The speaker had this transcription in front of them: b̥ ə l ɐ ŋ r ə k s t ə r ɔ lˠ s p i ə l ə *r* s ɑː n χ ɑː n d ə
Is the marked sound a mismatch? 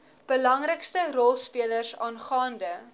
no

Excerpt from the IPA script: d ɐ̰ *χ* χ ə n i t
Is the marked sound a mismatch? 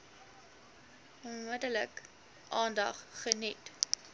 no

